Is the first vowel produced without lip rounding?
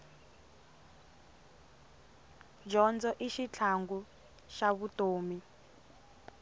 no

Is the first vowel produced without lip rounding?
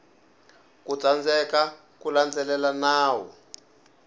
no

